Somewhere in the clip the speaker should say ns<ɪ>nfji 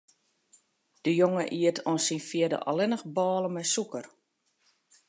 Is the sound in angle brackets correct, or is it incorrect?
incorrect